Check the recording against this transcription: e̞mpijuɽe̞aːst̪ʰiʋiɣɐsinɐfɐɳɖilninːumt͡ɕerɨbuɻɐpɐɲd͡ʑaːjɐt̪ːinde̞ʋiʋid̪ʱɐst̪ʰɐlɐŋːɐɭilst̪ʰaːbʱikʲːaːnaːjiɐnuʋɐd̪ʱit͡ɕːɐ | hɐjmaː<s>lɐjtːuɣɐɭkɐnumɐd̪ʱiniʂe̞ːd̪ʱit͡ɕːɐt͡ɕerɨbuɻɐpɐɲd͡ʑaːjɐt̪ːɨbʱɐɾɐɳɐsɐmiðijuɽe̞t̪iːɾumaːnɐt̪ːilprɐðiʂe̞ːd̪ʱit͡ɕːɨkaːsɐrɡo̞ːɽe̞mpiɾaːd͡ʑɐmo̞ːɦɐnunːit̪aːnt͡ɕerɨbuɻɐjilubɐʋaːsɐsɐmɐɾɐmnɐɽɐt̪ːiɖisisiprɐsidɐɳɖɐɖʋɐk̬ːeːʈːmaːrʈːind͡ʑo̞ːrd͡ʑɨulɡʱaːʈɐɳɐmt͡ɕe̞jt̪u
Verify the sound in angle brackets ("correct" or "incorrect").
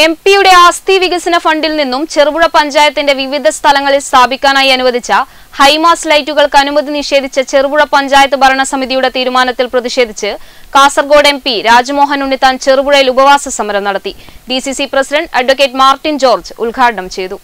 correct